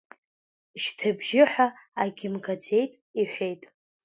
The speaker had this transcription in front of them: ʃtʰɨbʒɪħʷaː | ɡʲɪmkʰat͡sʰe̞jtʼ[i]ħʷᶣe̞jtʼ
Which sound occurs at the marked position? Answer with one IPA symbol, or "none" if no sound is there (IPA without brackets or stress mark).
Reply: i